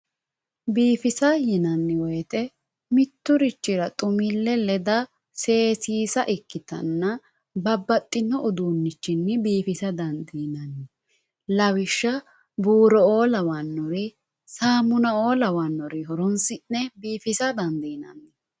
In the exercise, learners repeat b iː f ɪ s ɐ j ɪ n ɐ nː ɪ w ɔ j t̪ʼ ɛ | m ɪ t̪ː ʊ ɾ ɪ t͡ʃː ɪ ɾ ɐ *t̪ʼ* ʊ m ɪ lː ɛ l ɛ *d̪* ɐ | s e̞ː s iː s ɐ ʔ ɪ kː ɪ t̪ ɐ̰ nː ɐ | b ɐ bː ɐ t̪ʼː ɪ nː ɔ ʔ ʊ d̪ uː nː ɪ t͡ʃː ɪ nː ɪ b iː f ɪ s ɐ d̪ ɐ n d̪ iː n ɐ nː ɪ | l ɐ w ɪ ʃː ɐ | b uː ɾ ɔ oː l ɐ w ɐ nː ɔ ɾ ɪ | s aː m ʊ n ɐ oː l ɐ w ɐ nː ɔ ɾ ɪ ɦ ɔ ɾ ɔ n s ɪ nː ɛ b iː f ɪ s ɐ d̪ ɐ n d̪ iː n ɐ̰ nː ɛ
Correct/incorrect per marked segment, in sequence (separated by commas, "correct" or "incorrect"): correct, correct